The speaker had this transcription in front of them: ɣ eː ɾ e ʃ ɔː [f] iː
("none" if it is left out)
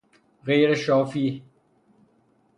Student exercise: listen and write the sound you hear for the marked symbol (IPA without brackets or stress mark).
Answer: f